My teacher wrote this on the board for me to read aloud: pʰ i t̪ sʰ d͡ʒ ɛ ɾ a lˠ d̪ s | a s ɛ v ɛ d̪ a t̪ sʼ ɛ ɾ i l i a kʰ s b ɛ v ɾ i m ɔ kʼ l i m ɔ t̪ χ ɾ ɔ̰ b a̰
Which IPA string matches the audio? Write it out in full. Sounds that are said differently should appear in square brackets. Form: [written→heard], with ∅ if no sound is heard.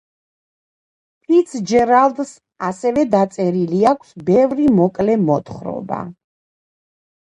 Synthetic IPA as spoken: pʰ i t̪ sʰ d͡ʒ ɛ ɾ a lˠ d̪ s | a s ɛ v ɛ d̪ a t̪ sʼ ɛ ɾ i l i a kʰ s b ɛ v ɾ i m ɔ kʼ l [i→ɛ] m ɔ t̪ χ ɾ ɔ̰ b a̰